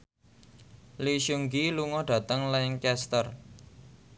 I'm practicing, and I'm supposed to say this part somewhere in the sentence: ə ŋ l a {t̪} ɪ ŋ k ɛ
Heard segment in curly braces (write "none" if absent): none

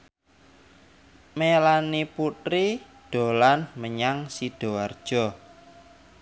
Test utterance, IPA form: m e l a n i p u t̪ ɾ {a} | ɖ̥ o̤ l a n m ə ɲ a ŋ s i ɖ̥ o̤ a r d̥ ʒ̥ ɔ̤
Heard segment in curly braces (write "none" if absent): i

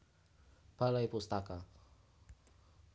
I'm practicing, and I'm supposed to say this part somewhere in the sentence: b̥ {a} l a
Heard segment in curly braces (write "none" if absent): a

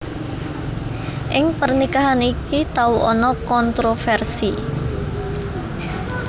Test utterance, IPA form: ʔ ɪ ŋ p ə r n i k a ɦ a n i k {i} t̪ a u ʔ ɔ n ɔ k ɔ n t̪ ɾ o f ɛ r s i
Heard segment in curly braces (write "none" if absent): i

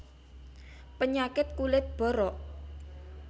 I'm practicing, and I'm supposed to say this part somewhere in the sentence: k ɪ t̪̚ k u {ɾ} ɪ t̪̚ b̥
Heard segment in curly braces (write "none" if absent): l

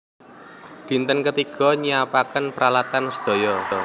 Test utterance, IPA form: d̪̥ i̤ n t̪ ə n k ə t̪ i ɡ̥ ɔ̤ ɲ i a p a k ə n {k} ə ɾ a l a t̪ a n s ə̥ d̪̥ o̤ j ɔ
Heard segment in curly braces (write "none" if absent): p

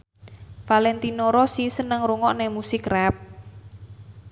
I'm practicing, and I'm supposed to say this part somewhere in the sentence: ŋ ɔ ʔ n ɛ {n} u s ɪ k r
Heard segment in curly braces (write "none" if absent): m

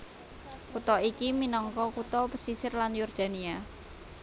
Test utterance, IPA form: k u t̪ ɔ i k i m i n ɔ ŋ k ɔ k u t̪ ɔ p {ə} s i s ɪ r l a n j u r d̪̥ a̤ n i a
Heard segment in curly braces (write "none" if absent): ə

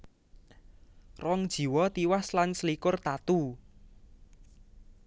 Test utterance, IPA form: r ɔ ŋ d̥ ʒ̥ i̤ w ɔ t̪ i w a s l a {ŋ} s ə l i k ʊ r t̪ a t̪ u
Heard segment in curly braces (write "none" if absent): n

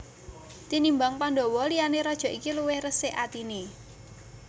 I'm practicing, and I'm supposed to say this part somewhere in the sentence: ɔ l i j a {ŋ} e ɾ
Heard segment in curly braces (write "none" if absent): n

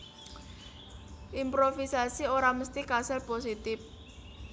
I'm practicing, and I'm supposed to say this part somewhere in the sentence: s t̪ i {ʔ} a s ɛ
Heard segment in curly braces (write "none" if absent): k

